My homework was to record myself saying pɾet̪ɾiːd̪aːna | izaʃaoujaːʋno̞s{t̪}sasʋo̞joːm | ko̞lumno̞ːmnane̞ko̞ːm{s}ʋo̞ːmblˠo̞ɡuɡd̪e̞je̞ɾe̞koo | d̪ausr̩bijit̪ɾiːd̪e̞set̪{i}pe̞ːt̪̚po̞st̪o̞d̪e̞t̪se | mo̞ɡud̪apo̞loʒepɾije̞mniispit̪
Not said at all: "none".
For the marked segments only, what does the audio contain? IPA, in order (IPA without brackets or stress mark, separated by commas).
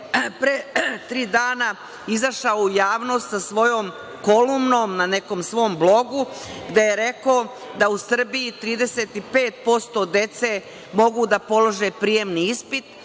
t̪, s, i